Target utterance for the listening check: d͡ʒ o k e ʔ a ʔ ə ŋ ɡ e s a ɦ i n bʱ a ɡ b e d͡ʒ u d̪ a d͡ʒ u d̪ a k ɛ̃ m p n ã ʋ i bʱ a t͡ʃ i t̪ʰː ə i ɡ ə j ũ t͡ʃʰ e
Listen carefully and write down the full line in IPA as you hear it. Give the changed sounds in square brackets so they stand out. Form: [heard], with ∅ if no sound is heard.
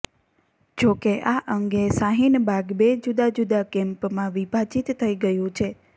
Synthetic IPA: d͡ʒ o k e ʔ a ʔ ə ŋ ɡ e s a ɦ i n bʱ a ɡ b e d͡ʒ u d̪ a d͡ʒ u d̪ a k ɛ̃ m p [m] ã ʋ i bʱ a t͡ʃ i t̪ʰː ə i ɡ ə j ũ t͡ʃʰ e